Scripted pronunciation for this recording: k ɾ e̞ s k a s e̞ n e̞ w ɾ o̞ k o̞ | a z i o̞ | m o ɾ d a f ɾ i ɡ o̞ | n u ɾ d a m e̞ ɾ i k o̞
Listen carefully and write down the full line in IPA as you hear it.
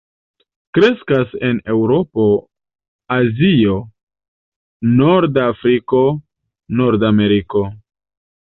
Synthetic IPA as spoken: k ɾ e̞ s k a s e̞ n e̞ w ɾ o̞ p o̞ | a z i o̞ | n o ɾ d a f ɾ i k o̞ | n o ɾ d a m e̞ ɾ i k o̞

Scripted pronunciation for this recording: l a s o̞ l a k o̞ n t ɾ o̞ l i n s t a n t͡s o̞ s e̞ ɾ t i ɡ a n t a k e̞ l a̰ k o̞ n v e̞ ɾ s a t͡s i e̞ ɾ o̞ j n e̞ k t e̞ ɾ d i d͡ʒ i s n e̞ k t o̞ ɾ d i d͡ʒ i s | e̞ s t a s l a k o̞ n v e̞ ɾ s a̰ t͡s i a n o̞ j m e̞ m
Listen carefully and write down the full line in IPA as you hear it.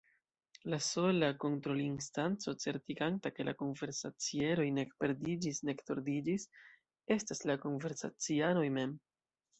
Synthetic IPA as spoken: l a s o̞ l a k o̞ n t ɾ o̞ l i n s t a n t͡s o̞ t͡s e̞ ɾ t i ɡ a n t a k e̞ l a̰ k o̞ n v e̞ ɾ s a t͡s i e̞ ɾ o̞ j n e̞ k p e̞ ɾ d i d͡ʒ i s n e̞ k t o̞ ɾ d i d͡ʒ i s | e̞ s t a s l a k o̞ n v e̞ ɾ s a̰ t͡s i a n o̞ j m e̞ m

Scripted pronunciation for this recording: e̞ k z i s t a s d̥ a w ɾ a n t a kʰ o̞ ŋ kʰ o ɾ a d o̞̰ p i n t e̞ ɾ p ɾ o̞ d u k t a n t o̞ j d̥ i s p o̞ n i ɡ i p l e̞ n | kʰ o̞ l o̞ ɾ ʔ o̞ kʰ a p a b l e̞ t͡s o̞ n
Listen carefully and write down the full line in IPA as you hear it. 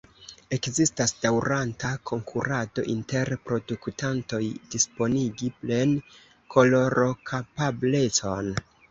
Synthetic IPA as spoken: e̞ k z i s t a s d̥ a w ɾ a n t a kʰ o̞ ŋ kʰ u ɾ a d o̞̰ ʔ i n t e̞ ɾ p ɾ o̞ d u k t a n t o̞ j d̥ i s p o̞ n i ɡ i p l e̞ n | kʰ o̞ l o̞ ɾ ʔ o̞ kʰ a p a b l e̞ t͡s o̞ n

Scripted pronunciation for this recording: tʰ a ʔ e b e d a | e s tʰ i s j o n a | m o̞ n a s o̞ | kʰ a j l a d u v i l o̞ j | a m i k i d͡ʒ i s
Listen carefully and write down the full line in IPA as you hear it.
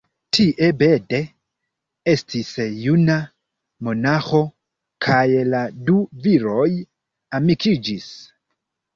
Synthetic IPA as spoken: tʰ i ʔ e b e d e | e s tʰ i s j u n a | m o̞ n a x o̞ | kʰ a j l a d u v i ɾ o̞ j | a m i k i d͡ʒ i s

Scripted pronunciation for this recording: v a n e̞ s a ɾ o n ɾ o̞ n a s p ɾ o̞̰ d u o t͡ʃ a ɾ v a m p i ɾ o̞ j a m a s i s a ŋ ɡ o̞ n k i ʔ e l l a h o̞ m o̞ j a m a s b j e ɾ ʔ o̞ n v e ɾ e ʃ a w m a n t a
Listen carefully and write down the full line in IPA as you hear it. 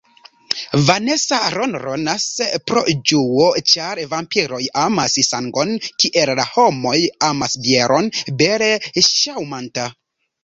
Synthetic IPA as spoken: v a n e̞ s a ɾ o n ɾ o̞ n a s p ɾ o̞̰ d͡ʒ u o t͡ʃ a ɾ v a m p i ɾ o̞ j a m a s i s a ŋ ɡ o̞ n k i ʔ e l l a h o̞ m o̞ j a m a s b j e ɾ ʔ o̞ n b e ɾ e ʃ a w m a n t a

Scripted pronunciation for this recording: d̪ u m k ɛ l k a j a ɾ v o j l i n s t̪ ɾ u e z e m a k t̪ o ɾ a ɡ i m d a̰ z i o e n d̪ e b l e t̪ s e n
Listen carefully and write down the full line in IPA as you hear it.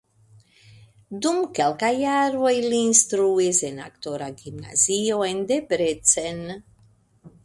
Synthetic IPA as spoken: d̪ u m k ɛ l k a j a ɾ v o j l i n s t̪ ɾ u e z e n a k t̪ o ɾ a ɡ i m n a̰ z i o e n d̪ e b ɾ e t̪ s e n

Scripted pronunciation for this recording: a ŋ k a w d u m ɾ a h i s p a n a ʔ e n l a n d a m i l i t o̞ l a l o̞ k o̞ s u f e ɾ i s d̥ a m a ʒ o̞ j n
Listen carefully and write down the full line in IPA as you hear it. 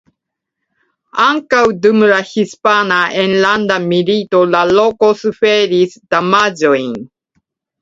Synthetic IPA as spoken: a ŋ k a w d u m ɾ a h i s p a n a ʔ e n l a n d a m i l i t o̞ l a l o̞ k o̞ s u f e ɾ i s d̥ a m a d͡ʒ o̞ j n

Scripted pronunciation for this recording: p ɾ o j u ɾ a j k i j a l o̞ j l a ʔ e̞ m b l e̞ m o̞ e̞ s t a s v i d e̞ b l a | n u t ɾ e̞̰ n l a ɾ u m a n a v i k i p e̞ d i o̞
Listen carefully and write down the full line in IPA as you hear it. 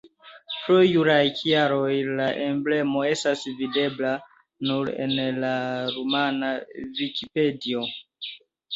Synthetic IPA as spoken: p ɾ o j u ɾ a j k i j a ɾ o̞ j l a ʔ e̞ m b l e̞ m o̞ e̞ s t a s v i d e̞ b l a | n u ɾ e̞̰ n l a ɾ u m a n a v i k i p e̞ d i o̞

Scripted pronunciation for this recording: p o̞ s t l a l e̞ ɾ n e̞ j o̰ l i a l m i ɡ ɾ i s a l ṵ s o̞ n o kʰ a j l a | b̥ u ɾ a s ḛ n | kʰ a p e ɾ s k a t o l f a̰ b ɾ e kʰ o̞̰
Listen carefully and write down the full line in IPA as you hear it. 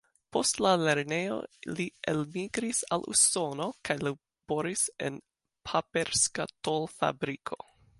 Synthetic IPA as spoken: p o̞ s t l a l e̞ ɾ n e̞ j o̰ l i e l m i ɡ ɾ i s a l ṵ s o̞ n o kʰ a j l a | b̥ o ɾ i s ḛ n | pʰ a p e ɾ s k a t o l f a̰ b ɾ i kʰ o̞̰

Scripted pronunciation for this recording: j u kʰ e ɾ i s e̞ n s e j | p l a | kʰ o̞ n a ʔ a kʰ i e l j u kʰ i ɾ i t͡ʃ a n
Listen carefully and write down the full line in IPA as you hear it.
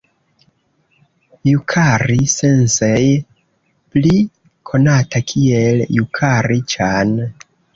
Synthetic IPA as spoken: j u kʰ a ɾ i s e̞ n s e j | p l i | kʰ o̞ n a t a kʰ i e l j u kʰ a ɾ i t͡ʃ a n

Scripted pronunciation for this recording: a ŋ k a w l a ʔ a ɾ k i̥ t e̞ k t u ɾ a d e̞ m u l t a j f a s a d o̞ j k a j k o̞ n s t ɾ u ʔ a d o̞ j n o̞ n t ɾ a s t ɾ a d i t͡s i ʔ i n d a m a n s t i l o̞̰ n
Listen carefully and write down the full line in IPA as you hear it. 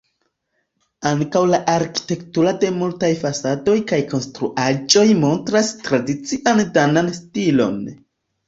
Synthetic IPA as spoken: a ŋ k a w l a ʔ a ɾ k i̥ t e̞ k t u ɾ a d e̞ m u l t a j f a s a d o̞ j k a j k o̞ n s t ɾ u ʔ a d͡ʒ o̞ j m o̞ n t ɾ a s t ɾ a d i t͡s i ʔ a n d a n a n s t i l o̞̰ n

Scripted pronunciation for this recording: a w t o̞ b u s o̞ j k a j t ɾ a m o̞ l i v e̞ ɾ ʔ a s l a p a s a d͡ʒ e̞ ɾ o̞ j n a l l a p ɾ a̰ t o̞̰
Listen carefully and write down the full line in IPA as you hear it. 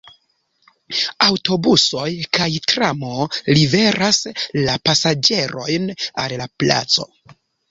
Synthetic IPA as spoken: a w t o̞ b u s o̞ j k a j t ɾ a m o̞ l i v e̞ ɾ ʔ a s l a p a s a d͡ʒ e̞ ɾ o̞ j n a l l a p l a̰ t͡s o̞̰

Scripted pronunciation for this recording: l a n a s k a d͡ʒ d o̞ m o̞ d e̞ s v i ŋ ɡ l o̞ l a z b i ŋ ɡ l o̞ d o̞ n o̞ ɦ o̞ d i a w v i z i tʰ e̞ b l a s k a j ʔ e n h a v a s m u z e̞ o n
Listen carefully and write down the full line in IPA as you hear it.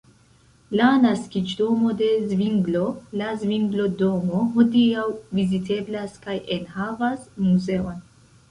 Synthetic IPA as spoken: l a n a s k i d͡ʒ d o̞ m o̞ d e̞ z v i ŋ ɡ l o̞ l a z v i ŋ ɡ l o̞ d o̞ m o̞ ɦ o̞ d i a w v i z i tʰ e̞ b l a s k a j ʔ e n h a v a s m u z e̞ o n

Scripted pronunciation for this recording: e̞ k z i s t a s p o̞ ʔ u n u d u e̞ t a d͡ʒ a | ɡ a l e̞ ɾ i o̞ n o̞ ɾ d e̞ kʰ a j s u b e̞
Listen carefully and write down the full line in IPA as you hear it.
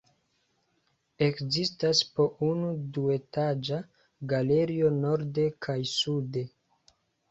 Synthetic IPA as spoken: e̞ k z i s t a s p o̞ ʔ u n u d u e̞ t a d͡ʒ a | ɡ a l e̞ ɾ i o̞ n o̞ ɾ d e̞ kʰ a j s u d e̞

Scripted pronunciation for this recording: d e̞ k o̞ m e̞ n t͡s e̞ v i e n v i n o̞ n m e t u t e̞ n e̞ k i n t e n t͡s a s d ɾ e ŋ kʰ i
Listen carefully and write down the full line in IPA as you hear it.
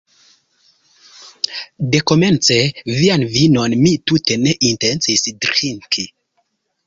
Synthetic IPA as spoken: d e̞ k o̞ m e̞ n t͡s e̞ v i a n v i n o̞ n m i t u t e̞ n e̞ ʔ i n t e n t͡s i s d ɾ i ŋ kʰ i

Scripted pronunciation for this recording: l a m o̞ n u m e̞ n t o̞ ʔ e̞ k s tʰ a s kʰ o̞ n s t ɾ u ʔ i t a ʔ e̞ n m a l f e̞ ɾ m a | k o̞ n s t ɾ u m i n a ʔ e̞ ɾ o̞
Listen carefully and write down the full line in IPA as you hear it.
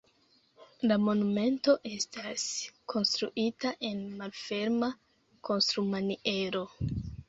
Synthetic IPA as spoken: l a m o̞ n u m e̞ n t o̞ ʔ e̞ s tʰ a s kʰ o̞ n s t ɾ u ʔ i t a ʔ e̞ n m a l f e̞ ɾ m a | k o̞ n s t ɾ u m a n i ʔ e̞ ɾ o̞

